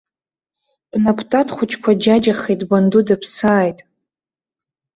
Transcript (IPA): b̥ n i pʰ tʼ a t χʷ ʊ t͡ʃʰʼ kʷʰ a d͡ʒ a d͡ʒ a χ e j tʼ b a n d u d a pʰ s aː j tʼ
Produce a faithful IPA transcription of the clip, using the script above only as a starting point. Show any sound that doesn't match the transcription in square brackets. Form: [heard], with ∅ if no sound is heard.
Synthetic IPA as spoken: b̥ n [a] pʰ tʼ a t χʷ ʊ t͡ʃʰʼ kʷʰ a d͡ʒ a d͡ʒ a χ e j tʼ b a n d u d a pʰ s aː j tʼ